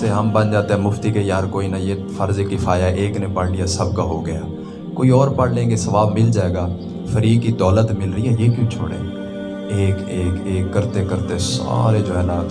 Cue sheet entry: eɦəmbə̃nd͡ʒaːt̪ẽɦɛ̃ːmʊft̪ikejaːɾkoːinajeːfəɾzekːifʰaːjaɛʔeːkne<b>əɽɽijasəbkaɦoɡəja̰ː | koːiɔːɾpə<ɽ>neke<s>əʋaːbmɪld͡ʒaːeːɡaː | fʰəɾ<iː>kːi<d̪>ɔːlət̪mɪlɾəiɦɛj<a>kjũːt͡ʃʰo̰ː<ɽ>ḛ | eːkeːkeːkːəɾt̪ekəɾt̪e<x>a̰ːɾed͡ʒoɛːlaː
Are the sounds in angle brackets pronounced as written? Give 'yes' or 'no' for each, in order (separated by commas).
no, yes, yes, yes, yes, no, yes, no